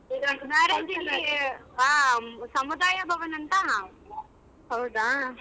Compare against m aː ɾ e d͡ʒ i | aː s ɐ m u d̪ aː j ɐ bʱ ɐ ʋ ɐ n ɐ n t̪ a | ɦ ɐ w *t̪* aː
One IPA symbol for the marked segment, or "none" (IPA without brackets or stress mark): d̪